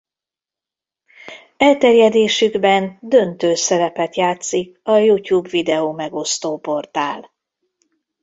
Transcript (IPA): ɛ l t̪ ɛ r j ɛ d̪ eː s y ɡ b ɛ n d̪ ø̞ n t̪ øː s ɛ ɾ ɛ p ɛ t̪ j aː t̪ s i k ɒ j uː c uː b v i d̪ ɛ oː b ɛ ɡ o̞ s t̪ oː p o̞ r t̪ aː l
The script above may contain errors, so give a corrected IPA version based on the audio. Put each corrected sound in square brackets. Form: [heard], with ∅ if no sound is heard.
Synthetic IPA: ɛ l t̪ ɛ r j ɛ d̪ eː [ʃ] y ɡ b ɛ n d̪ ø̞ n t̪ øː s ɛ ɾ ɛ p ɛ t̪ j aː t̪ s i k ɒ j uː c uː b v i d̪ ɛ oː [m] ɛ ɡ o̞ s t̪ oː p o̞ r t̪ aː l

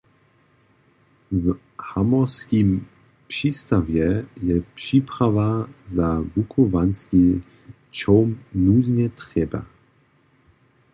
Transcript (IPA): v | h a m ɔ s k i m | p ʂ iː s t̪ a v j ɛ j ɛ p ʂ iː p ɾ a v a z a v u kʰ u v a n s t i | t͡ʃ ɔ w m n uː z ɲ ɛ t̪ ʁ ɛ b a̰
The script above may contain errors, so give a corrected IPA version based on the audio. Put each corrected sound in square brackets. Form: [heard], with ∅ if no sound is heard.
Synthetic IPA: v | h a m ɔ s k i m | p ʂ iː s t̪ a v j ɛ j ɛ p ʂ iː p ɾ a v a z a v u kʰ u v a n s [k] i | t͡ʃ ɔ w m n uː z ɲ ɛ t̪ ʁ ɛ b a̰

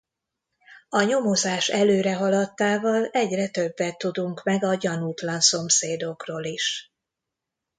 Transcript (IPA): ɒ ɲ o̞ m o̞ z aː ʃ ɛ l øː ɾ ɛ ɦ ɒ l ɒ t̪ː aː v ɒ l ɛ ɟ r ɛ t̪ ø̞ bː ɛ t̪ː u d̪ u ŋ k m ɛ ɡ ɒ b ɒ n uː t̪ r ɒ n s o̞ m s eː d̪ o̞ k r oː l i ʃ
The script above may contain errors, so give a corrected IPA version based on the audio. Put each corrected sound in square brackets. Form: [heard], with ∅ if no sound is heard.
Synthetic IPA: ɒ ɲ o̞ m o̞ z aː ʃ ɛ l øː ɾ ɛ ɦ ɒ l ɒ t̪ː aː v ɒ l ɛ ɟ r ɛ t̪ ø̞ bː ɛ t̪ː u d̪ u ŋ k m ɛ ɡ ɒ [ɟ] ɒ n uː t̪ [l] ɒ n s o̞ m s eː d̪ o̞ k r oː l i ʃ

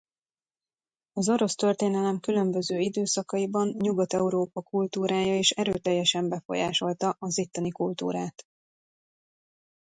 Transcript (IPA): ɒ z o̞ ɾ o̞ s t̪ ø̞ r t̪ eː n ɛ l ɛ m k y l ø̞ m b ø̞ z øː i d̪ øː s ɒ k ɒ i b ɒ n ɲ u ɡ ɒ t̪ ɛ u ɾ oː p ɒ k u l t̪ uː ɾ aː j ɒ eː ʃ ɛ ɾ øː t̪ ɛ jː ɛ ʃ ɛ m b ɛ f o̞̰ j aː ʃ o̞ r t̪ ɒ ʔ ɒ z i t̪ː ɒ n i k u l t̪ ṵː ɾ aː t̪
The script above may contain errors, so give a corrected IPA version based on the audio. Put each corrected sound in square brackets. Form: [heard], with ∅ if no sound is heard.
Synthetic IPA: ɒ z o̞ ɾ o̞ s t̪ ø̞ r t̪ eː n ɛ l ɛ m k y l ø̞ m b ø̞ z øː i d̪ øː s ɒ k ɒ i b ɒ n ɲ u ɡ ɒ t̪ ɛ u ɾ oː p ɒ k u l t̪ uː ɾ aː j ɒ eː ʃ ɛ ɾ øː t̪ ɛ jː ɛ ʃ ɛ m b ɛ f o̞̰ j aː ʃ o̞ [l] t̪ ɒ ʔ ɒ z i t̪ː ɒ n i k u l t̪ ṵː ɾ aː t̪

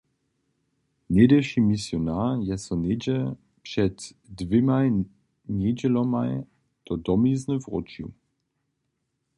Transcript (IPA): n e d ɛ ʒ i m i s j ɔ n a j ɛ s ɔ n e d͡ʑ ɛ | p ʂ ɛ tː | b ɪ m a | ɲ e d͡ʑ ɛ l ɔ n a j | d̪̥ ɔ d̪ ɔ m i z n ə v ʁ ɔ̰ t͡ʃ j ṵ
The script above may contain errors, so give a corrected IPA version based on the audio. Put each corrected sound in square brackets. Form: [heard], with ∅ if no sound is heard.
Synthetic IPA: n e d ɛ [ʃ] i m i s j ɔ n a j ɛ s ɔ n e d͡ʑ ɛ | p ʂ ɛ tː | [v] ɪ m a | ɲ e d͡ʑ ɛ l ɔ [m] a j | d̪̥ ɔ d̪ ɔ m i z n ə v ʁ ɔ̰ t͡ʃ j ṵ

